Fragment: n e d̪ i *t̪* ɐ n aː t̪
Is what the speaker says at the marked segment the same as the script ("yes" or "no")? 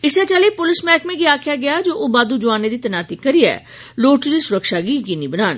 yes